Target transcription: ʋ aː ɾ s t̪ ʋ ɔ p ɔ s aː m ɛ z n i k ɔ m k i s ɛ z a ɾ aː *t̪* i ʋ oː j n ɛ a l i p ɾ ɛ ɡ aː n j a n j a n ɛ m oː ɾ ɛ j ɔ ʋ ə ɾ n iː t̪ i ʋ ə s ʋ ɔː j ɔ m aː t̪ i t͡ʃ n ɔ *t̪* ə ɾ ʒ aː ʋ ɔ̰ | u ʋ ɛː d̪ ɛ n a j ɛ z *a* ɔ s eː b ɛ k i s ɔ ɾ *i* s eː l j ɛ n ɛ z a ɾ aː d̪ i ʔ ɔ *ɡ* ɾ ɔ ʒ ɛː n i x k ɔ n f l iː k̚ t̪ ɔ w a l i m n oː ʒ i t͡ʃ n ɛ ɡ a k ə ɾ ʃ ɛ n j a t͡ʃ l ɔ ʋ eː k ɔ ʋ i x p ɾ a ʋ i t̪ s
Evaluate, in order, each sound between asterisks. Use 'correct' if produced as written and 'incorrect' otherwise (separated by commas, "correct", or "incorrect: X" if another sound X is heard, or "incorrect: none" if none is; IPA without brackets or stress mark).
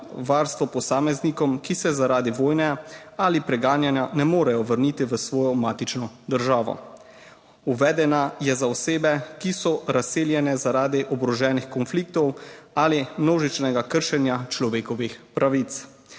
incorrect: d̪, incorrect: d̪, correct, incorrect: a, incorrect: b